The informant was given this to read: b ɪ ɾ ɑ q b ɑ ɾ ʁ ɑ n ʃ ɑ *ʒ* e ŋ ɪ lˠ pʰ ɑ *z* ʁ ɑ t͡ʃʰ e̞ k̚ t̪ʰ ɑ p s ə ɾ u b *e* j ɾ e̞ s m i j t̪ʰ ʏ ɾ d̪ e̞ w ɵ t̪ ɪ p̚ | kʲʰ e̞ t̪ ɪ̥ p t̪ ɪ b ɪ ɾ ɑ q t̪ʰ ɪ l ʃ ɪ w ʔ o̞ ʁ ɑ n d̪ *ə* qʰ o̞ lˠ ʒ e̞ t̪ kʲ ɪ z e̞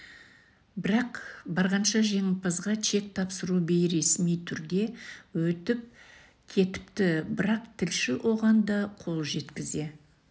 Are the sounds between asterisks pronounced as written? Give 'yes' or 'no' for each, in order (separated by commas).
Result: yes, yes, yes, no